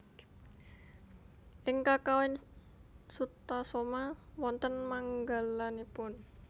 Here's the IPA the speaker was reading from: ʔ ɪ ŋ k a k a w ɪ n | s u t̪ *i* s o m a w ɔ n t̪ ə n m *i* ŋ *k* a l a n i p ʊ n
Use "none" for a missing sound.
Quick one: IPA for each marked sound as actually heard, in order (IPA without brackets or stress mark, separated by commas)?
a, a, ɡ